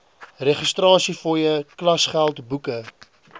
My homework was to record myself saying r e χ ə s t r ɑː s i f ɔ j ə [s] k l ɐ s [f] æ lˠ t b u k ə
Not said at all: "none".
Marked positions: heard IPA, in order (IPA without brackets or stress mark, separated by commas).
none, χ